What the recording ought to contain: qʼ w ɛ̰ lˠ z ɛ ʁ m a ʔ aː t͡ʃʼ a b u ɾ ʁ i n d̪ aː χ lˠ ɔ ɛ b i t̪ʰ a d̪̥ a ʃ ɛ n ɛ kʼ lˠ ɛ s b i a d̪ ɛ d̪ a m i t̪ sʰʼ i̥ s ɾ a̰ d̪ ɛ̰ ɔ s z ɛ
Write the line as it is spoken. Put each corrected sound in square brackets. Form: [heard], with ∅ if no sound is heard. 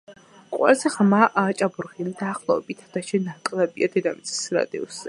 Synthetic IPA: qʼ w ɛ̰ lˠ z ɛ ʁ m a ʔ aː t͡ʃʼ a b u ɾ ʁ i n d̪ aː χ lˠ ɔ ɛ b i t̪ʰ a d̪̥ a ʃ ɛ n [a] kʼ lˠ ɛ [∅] b i a d̪ ɛ d̪ a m i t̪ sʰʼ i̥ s ɾ a̰ d̪ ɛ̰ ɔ s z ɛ